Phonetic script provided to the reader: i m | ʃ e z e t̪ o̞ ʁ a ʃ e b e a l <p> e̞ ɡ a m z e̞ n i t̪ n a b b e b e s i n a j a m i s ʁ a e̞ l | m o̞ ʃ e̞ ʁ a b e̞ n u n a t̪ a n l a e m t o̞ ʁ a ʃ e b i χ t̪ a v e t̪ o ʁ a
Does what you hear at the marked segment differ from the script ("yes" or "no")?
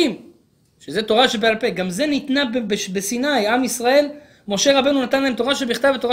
no